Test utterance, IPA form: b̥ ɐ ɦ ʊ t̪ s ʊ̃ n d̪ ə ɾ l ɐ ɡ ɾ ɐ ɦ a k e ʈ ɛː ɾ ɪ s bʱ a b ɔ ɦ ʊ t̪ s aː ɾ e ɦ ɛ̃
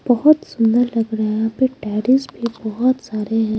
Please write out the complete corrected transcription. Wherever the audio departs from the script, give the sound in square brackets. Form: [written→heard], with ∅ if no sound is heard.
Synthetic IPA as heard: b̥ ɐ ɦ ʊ t̪ s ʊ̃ n d̪ ə ɾ l ɐ ɡ ɾ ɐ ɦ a [k→p] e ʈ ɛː ɾ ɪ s bʱ [a→i] b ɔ ɦ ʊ t̪ s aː ɾ e ɦ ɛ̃